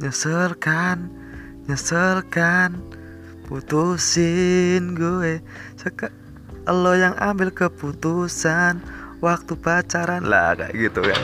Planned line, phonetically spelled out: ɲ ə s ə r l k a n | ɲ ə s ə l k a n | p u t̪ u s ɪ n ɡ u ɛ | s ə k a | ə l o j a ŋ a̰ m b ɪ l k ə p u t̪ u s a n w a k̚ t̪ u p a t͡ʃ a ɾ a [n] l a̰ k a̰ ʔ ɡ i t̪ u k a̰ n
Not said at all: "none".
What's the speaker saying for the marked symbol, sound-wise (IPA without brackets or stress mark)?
n